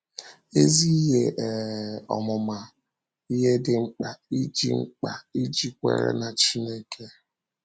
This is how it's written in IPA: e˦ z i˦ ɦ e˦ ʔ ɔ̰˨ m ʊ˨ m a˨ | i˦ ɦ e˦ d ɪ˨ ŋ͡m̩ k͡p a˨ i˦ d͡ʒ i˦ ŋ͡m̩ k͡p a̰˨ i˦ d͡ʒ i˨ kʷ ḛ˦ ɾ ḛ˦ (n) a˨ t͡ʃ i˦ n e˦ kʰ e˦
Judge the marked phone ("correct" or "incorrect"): correct